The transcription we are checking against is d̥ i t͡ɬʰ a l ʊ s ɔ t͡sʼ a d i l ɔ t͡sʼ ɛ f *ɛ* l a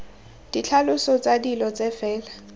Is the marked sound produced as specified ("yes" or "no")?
no